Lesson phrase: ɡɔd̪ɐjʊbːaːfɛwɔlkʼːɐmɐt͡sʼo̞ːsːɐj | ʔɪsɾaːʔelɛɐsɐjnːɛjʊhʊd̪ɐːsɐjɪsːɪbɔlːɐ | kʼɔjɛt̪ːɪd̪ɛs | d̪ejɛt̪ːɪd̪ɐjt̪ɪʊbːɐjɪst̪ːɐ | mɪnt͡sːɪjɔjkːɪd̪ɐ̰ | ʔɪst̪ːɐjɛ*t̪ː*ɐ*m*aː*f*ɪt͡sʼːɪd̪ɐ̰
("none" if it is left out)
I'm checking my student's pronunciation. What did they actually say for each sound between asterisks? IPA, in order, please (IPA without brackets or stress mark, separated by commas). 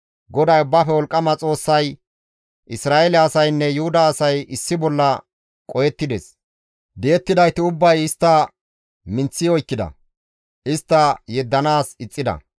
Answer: d̪ː, n, s